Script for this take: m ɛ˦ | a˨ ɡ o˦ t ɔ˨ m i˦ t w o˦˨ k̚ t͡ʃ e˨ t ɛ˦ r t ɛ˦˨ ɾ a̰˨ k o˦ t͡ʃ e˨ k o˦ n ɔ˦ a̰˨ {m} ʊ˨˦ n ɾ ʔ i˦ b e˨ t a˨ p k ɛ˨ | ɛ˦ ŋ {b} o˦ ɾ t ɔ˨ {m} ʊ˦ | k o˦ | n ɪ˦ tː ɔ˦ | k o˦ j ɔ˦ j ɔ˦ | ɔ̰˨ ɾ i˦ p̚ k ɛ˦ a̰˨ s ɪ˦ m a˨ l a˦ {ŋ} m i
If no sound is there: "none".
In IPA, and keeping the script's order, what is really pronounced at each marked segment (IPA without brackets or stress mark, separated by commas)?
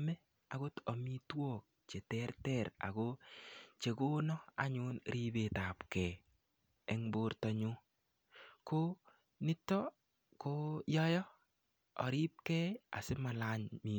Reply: ɲ, b, ɲ, ɲ